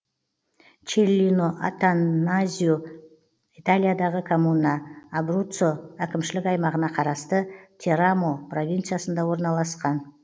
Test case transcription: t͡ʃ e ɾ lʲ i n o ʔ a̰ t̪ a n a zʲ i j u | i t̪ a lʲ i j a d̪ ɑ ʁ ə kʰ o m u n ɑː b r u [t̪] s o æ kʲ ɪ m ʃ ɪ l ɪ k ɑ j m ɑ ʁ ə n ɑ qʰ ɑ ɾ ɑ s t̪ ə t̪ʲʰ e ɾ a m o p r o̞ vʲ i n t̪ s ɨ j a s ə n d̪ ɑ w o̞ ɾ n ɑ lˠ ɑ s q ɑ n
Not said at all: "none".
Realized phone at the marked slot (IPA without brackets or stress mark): t̪